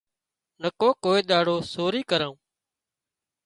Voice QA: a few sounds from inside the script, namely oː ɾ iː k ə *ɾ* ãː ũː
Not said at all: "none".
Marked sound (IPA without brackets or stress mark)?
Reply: ɾ